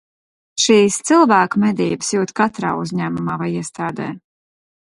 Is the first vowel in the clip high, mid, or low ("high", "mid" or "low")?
high